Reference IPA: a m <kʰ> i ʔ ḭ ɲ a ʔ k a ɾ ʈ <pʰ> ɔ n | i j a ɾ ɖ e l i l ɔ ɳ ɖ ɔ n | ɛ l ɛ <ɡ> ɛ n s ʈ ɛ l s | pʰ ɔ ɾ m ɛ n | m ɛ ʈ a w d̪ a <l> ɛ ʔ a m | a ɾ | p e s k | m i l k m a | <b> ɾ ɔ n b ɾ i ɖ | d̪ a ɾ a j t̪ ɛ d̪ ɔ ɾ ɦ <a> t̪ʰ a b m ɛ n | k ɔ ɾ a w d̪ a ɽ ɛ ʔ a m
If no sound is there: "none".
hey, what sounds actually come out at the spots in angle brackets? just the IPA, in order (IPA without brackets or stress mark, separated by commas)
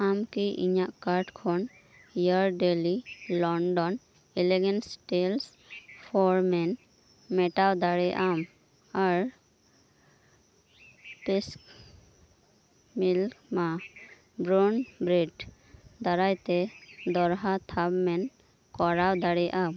k, kʰ, ɡ, ɽ, b, a